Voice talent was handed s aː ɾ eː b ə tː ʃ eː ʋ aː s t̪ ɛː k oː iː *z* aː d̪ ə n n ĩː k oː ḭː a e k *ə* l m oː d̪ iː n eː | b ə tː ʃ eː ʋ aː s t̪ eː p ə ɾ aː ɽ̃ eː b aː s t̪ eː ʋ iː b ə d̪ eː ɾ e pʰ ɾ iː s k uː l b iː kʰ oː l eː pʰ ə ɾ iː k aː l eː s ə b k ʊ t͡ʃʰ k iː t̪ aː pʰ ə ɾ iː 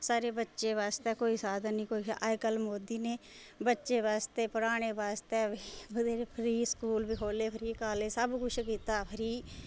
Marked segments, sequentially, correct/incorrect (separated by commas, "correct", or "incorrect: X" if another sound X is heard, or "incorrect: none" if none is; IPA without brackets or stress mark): incorrect: s, correct